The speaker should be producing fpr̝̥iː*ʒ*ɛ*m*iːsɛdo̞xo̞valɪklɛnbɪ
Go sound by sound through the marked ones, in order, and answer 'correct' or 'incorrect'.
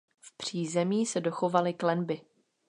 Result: incorrect: z, correct

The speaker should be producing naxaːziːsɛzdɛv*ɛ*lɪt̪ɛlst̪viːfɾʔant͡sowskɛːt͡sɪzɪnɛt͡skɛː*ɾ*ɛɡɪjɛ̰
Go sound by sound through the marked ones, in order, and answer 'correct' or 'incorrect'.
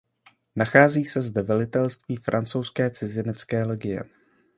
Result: correct, incorrect: l

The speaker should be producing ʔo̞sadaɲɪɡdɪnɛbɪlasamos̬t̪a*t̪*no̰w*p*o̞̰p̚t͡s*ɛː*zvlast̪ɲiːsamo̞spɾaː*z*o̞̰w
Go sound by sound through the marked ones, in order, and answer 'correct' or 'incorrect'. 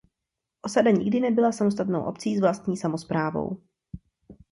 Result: correct, incorrect: ʔ, incorrect: iː, incorrect: v

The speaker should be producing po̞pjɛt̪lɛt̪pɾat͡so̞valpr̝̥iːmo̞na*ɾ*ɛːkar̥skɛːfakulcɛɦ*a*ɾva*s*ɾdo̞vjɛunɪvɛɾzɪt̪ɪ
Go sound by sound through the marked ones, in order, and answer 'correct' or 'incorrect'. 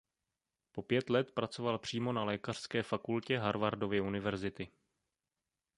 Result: incorrect: l, correct, incorrect: none

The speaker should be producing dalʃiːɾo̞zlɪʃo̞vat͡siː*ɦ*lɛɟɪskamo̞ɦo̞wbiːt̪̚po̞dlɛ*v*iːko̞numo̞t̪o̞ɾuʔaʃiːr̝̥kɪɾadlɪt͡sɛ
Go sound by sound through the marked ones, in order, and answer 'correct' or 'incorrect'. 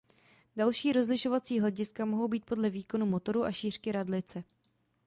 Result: correct, correct

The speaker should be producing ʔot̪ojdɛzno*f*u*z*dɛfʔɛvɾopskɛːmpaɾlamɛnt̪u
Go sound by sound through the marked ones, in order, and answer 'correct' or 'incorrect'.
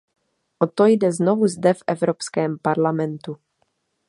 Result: incorrect: v, correct

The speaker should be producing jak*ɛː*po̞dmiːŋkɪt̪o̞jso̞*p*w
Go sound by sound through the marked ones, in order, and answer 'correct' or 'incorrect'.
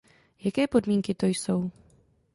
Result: correct, incorrect: none

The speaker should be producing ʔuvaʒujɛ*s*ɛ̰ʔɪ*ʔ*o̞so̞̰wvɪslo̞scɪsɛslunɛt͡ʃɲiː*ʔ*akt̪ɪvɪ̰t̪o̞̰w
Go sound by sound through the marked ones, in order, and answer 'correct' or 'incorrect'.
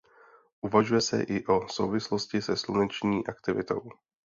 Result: correct, correct, correct

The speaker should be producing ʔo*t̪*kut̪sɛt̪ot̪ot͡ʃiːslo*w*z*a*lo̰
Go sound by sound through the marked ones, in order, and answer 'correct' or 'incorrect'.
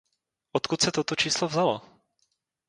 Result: correct, incorrect: v, correct

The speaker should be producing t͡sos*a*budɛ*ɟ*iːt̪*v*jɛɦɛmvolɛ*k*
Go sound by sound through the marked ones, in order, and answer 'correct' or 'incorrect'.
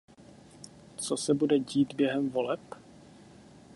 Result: incorrect: ɛ, correct, incorrect: b, incorrect: p

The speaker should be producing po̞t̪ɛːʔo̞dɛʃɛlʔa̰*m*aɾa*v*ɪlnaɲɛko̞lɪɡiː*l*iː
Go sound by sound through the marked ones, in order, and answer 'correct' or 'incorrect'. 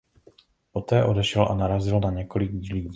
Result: incorrect: n, incorrect: z, correct

